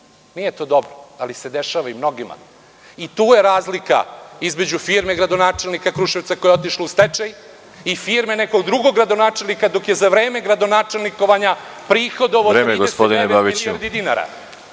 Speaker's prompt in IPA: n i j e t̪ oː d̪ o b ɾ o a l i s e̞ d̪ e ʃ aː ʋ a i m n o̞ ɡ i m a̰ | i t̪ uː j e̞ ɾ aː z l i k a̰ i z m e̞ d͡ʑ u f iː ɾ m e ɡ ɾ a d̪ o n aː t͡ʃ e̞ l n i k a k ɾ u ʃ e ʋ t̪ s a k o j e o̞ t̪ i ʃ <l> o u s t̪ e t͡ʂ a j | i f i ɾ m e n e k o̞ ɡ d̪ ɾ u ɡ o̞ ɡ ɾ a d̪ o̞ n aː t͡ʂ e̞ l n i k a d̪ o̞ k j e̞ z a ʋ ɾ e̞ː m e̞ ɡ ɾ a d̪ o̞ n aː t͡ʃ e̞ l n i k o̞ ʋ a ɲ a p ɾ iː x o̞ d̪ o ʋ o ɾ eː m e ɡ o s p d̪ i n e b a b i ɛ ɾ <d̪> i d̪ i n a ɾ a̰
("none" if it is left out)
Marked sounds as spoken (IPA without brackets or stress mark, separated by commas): l, d̪